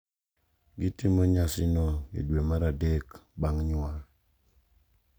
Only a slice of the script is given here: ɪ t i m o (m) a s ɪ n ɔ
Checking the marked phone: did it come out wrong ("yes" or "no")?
yes